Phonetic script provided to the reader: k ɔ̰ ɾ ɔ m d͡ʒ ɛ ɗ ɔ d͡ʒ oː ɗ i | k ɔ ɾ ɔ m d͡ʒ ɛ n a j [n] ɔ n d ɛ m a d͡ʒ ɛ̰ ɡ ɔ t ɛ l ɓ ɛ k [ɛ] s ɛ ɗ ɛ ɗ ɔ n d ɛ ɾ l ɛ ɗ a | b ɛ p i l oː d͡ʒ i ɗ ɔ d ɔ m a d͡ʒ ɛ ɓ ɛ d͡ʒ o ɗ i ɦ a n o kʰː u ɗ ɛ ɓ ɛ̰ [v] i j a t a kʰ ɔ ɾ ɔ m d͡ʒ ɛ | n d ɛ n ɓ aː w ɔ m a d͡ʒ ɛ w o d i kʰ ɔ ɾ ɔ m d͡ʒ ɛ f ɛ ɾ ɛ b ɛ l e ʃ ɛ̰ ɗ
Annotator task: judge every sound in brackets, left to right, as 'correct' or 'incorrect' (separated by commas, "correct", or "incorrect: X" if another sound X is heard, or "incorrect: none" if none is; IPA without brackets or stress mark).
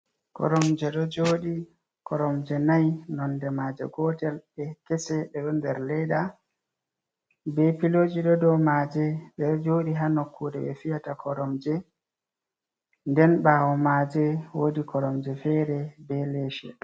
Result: correct, correct, incorrect: f